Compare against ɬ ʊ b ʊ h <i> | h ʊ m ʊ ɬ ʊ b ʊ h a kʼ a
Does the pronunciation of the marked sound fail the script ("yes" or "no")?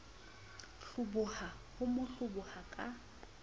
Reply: yes